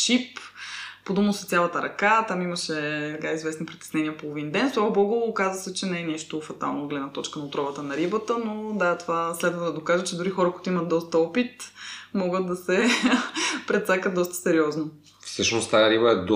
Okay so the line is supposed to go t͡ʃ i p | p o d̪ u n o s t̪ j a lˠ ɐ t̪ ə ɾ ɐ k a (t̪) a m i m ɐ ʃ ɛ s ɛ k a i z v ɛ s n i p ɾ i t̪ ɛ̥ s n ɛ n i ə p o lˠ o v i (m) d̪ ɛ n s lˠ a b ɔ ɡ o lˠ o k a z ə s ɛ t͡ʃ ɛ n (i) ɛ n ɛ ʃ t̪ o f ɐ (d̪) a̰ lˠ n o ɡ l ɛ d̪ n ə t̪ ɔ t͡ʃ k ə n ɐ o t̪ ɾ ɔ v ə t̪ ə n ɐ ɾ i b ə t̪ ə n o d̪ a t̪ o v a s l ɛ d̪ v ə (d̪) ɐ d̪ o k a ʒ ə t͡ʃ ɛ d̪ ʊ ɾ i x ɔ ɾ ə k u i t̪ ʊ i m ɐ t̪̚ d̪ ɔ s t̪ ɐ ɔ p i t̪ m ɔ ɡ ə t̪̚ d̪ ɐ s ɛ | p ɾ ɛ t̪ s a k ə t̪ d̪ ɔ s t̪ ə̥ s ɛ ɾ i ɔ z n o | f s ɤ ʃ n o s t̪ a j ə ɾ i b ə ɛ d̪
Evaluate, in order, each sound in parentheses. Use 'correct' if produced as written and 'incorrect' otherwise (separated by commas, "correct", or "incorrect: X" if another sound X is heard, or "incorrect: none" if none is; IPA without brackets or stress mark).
correct, incorrect: n, incorrect: ɛ, incorrect: t̪, correct